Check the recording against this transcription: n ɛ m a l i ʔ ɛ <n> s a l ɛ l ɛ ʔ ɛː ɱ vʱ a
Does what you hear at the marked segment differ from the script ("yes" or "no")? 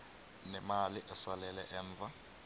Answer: yes